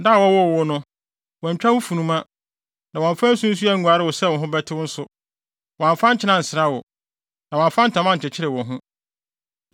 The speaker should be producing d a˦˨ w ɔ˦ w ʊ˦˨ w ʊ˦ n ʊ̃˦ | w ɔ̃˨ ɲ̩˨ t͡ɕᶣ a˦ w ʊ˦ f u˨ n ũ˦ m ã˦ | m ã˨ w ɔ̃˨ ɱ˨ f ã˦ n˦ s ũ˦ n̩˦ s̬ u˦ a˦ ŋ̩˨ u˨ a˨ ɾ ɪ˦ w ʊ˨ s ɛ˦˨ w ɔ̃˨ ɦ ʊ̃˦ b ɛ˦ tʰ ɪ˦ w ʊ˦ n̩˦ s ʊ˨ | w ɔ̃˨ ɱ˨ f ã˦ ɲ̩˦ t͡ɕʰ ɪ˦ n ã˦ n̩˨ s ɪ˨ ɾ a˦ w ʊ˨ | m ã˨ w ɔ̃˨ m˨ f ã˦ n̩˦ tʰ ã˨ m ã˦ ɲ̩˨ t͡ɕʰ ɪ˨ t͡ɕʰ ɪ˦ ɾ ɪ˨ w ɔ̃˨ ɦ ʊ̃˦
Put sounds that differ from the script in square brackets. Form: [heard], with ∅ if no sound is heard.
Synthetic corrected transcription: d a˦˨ w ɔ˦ w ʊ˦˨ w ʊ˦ n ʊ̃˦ | w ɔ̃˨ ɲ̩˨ t͡ɕᶣ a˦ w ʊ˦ f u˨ n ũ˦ m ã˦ | [n] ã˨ w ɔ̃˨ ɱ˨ f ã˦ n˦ s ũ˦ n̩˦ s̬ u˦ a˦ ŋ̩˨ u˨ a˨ ɾ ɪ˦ w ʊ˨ s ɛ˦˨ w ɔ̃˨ ɦ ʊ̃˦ b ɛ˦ tʰ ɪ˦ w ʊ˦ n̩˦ s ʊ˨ | w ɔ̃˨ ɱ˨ f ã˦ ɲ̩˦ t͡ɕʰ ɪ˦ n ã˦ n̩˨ s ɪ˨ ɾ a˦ w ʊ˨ | [n] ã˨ w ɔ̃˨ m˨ f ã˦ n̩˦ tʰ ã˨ m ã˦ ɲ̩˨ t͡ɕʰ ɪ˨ t͡ɕʰ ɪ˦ ɾ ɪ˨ w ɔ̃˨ ɦ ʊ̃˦

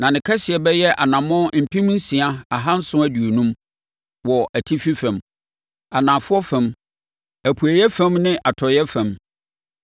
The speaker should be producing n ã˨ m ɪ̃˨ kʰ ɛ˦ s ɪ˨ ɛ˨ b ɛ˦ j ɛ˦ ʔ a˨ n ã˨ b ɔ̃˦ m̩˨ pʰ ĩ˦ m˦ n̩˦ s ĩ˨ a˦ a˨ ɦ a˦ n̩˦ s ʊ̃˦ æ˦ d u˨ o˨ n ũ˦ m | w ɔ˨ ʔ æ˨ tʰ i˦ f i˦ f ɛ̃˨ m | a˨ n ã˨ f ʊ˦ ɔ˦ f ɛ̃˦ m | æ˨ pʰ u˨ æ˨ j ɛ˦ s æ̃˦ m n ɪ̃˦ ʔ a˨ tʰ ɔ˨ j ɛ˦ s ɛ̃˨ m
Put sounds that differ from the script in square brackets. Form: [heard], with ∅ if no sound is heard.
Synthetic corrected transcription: n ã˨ [n] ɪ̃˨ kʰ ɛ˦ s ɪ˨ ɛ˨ b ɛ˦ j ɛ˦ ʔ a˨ n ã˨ [m] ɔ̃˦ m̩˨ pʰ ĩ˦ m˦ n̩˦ s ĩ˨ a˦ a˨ ɦ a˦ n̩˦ s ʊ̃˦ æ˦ d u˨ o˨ n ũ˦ m | w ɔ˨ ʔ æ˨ tʰ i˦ f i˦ f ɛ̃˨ m | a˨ n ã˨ f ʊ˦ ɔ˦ f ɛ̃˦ m | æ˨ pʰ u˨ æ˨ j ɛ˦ [f] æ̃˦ m n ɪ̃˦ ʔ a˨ tʰ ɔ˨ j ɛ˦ [f] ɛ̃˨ m

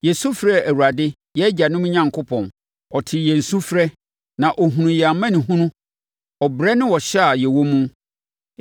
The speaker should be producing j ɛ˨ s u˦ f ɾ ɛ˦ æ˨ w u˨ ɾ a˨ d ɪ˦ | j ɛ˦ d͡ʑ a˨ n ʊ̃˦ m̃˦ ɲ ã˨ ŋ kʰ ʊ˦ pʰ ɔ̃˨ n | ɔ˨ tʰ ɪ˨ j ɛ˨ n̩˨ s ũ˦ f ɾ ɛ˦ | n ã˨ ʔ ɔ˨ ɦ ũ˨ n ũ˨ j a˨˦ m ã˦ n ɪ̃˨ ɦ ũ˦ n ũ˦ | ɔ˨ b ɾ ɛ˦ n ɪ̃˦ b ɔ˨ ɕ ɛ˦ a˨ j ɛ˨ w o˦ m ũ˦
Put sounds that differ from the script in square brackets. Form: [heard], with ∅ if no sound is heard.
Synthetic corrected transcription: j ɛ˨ s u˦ f ɾ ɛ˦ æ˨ w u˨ ɾ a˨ d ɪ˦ | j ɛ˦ d͡ʑ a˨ n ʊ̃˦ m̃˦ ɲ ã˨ ŋ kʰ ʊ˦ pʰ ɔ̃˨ n | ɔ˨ tʰ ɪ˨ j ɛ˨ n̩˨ s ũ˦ f ɾ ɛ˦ | n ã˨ ʔ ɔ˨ ɦ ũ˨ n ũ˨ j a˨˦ m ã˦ n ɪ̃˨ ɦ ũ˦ n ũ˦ | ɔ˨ b ɾ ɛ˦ n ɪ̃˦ [w] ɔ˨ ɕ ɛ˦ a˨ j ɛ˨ w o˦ m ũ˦

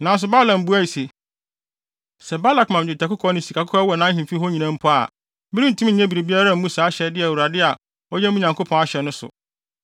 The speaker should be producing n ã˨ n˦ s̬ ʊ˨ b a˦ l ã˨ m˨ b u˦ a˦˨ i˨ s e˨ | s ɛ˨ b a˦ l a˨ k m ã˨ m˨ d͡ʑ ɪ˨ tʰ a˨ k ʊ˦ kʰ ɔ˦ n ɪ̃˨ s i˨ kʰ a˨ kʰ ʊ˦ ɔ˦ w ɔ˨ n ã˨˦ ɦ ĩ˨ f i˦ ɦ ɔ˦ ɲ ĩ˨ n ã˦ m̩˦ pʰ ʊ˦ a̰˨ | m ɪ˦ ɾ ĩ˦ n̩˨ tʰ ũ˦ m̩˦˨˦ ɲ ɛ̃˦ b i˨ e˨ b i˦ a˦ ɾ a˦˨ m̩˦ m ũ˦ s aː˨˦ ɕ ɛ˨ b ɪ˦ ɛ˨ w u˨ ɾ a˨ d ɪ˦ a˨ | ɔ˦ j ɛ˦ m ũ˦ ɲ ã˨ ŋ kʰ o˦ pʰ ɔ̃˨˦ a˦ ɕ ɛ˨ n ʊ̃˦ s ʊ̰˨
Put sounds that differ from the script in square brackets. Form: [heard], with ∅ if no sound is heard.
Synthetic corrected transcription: n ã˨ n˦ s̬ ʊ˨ b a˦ l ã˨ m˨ b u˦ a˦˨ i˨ s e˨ | s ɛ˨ b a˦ l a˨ k m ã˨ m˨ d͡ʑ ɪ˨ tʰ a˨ k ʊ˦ kʰ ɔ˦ n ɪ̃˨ s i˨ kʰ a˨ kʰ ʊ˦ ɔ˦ w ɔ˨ n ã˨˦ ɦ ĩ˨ f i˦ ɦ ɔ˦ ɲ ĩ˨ n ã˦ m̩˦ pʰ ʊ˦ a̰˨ | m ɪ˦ ɾ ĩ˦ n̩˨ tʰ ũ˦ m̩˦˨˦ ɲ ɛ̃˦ b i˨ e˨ b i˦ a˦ ɾ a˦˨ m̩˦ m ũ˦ s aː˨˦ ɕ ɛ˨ [d] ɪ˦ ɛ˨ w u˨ ɾ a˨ d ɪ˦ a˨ | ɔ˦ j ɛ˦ m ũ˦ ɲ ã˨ ŋ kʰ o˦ pʰ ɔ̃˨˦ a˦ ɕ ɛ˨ n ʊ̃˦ s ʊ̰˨

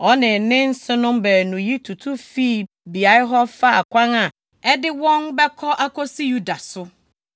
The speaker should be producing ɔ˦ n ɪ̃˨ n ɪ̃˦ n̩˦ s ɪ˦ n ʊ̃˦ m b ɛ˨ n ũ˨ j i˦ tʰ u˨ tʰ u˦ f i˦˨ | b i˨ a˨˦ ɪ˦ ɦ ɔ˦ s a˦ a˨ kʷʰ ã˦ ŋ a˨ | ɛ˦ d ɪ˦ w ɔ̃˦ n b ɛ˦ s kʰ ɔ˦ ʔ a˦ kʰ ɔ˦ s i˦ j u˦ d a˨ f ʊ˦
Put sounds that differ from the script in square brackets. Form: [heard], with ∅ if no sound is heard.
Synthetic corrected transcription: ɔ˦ n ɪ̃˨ n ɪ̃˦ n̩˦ s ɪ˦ n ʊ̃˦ m b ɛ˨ n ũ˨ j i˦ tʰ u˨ tʰ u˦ f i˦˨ | b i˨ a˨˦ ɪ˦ ɦ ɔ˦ [f] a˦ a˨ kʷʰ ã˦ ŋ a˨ | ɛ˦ d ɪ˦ w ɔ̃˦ n b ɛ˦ [∅] kʰ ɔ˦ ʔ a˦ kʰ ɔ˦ s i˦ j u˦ d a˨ [s] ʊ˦

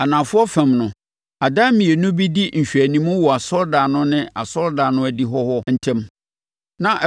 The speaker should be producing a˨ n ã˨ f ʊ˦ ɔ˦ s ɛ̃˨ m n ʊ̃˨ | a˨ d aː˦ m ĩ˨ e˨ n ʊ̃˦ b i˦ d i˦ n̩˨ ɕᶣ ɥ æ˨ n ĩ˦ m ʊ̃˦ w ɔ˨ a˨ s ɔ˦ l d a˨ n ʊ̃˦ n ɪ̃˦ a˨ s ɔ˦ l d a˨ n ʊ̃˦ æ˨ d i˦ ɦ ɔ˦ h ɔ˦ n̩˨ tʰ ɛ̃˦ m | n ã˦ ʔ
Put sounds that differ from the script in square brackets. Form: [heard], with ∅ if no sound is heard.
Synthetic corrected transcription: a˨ n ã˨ f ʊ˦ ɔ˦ [f] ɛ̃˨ m n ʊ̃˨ | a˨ d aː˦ m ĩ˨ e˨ n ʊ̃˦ b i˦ d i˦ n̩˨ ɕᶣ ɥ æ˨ n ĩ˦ m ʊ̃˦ w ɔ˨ a˨ s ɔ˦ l d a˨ n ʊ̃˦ n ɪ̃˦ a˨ s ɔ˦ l d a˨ n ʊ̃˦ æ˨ d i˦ ɦ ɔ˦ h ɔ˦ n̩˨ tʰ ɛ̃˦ m | n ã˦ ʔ

